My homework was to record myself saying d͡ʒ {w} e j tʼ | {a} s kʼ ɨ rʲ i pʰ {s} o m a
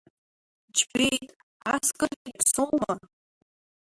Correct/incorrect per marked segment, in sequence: incorrect: b, correct, correct

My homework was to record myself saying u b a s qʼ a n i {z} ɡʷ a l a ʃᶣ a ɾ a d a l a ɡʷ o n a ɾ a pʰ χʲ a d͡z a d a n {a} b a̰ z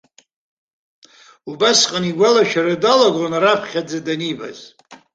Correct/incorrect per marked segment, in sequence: incorrect: none, incorrect: i

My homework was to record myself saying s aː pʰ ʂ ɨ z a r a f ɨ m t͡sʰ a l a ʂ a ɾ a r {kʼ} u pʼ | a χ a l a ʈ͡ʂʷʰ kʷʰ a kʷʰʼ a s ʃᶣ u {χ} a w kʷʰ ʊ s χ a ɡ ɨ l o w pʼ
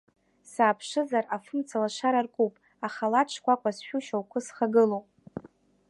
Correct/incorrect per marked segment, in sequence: correct, incorrect: ʃ

